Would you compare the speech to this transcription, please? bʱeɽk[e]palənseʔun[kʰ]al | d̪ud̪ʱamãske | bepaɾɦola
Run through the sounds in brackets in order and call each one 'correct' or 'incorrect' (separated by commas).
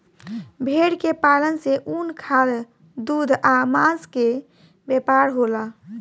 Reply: correct, correct